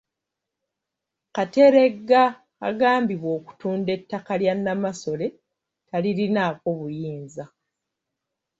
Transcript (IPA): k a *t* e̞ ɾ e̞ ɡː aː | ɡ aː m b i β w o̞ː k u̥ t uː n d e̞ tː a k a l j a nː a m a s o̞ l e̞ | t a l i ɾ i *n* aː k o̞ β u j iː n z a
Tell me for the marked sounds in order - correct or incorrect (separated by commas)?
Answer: correct, correct